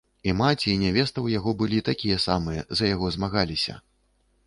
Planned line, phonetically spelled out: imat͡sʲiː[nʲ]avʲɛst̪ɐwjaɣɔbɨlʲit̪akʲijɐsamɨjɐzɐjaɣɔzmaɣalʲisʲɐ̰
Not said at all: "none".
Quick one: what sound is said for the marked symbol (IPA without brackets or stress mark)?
nʲ